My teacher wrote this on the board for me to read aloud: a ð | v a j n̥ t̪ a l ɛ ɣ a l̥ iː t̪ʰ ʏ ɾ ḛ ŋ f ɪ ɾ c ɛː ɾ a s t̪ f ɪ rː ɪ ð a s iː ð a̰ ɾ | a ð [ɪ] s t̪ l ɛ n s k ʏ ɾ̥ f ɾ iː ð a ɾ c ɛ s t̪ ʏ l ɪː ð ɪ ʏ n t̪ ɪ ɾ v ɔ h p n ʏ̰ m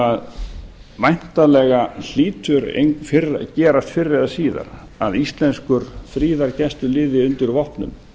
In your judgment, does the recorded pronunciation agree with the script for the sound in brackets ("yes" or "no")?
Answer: no